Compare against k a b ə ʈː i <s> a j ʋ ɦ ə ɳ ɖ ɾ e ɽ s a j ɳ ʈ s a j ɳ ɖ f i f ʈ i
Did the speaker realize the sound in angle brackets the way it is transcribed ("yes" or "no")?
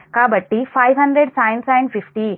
no